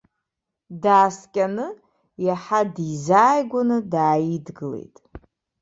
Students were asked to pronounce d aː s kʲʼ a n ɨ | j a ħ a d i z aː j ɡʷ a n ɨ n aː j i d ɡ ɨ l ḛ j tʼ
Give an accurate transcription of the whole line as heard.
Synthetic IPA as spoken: d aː s kʲʼ a n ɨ | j a ħ a d i z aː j ɡʷ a n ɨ d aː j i d ɡ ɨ l ḛ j tʼ